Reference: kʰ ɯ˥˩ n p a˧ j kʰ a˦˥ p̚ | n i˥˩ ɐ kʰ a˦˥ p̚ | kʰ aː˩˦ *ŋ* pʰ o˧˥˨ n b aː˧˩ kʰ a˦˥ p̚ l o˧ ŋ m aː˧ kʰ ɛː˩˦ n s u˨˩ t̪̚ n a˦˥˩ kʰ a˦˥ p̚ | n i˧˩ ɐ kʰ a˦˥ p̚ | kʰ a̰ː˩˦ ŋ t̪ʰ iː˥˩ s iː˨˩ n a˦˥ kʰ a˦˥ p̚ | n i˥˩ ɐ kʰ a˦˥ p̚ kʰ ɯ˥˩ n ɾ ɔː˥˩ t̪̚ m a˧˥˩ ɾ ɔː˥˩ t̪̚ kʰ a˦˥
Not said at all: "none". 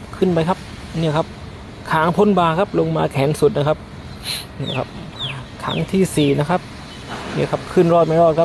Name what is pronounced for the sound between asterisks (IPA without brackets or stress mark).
ŋ